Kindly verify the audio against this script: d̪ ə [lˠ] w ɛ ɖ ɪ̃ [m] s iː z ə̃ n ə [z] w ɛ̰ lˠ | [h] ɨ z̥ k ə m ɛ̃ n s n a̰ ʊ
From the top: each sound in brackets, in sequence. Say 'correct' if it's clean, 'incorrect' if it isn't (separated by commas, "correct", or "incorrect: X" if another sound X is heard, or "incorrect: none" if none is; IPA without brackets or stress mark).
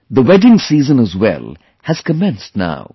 incorrect: none, incorrect: ŋ, correct, correct